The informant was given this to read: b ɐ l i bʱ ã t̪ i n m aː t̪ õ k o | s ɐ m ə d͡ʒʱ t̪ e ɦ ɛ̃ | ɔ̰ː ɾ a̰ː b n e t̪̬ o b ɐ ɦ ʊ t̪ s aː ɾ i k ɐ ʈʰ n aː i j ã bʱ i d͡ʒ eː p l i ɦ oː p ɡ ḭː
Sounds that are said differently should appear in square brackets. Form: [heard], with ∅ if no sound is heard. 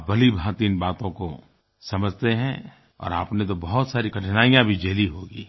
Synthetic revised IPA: b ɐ l i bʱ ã t̪ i n [b] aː t̪ õ k o | s ɐ m ə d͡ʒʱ t̪ e ɦ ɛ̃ | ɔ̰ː ɾ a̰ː [p] n e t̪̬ o b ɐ ɦ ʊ t̪ s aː ɾ i k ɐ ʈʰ n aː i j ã bʱ i d͡ʒ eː [∅] l i ɦ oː [∅] ɡ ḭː